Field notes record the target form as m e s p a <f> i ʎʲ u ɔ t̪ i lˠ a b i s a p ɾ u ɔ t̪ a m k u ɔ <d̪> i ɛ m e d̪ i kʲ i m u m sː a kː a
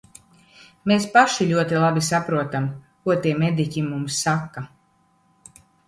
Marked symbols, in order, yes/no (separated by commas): no, no